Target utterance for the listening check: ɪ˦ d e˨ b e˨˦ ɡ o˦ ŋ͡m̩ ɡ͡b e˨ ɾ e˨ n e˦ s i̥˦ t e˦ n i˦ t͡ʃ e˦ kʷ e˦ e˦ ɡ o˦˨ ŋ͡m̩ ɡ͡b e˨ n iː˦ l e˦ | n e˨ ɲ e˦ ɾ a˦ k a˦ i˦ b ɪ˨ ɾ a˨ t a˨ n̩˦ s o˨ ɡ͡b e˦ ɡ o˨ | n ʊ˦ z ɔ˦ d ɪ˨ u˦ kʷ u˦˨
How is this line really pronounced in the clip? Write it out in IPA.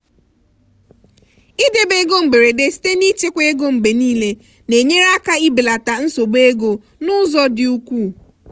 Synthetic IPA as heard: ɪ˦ d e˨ b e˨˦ ɡ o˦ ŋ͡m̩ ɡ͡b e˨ ɾ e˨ d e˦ s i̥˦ t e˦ n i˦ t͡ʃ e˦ kʷ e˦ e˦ ɡ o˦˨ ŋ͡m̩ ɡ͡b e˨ n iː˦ l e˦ | n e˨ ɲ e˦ ɾ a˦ k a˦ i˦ b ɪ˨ l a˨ t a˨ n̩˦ s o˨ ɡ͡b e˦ ɡ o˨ | n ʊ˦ z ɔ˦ d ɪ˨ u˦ kʷ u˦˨